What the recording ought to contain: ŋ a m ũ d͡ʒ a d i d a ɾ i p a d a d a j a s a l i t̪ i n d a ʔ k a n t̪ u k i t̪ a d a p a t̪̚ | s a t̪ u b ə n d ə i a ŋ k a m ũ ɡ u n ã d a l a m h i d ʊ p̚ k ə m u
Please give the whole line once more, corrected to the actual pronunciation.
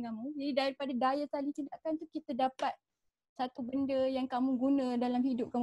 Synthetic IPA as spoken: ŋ a m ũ d͡ʒ a d i d a ɾ i p a d a d a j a s a l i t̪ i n d a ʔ k a n t̪ u k i t̪ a d a p a t̪̚ | s a t̪ u b ə n d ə j a ŋ k a m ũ ɡ u n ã d a l a m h i d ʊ p̚ k a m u